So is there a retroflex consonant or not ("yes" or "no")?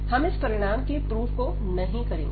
yes